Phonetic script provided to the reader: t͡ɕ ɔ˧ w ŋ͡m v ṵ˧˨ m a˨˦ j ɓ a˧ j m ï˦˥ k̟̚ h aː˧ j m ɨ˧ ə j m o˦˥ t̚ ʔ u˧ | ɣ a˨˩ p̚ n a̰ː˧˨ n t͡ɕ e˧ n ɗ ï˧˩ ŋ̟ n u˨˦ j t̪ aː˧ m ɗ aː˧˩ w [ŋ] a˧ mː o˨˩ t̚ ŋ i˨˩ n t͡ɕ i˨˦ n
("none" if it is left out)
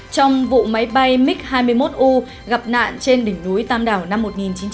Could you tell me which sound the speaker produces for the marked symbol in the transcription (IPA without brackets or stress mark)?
n